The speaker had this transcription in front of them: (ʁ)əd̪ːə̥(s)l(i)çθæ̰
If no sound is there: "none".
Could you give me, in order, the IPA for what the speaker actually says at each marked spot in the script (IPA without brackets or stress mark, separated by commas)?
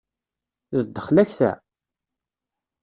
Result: z, χ, æ